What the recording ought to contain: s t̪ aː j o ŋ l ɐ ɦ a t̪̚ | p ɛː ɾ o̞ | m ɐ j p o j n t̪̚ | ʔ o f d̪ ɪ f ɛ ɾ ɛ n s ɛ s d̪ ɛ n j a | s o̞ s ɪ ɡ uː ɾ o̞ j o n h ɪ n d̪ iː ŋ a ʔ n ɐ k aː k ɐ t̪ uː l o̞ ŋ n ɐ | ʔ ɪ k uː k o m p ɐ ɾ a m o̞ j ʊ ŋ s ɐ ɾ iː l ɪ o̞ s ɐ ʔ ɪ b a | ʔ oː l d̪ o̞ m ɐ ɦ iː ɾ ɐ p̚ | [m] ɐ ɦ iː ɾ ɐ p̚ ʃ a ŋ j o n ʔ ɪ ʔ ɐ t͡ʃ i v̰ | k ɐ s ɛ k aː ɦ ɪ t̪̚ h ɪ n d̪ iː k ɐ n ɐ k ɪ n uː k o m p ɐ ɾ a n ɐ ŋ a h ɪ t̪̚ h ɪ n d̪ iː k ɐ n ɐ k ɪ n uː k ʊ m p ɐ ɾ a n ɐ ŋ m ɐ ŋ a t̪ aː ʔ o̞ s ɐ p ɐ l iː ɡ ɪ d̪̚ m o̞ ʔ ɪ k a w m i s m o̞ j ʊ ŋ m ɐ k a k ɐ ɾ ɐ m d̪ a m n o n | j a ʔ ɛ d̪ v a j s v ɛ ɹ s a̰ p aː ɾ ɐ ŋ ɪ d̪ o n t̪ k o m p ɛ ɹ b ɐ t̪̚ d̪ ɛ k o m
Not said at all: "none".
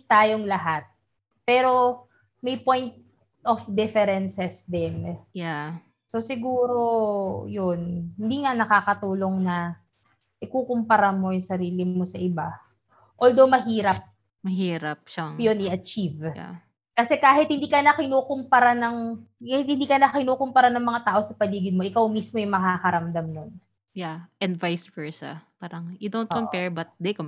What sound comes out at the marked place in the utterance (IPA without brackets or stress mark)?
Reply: m